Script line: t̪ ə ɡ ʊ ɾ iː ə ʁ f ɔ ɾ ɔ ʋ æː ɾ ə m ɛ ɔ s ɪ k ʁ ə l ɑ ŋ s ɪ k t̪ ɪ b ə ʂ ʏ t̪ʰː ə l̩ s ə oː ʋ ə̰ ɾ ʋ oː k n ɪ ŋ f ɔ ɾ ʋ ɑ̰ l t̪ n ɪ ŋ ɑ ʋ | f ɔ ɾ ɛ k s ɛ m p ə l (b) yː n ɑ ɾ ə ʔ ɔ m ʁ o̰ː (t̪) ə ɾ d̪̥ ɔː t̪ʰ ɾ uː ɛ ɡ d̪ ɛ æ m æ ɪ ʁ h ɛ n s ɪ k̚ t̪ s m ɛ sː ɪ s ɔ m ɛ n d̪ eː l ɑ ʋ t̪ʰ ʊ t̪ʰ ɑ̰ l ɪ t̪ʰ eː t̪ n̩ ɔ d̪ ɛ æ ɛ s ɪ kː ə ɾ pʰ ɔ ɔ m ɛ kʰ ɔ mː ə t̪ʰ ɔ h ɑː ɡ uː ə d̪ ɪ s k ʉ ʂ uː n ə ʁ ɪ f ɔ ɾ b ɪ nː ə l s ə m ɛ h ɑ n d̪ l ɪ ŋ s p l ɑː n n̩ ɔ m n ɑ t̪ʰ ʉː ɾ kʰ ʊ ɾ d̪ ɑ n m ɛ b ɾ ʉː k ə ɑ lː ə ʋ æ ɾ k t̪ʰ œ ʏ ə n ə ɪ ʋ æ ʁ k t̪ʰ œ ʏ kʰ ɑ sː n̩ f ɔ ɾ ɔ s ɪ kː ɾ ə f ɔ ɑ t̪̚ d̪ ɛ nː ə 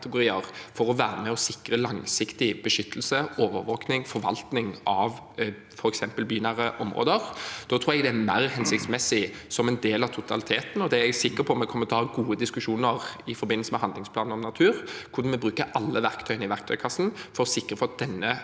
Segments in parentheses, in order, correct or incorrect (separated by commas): correct, incorrect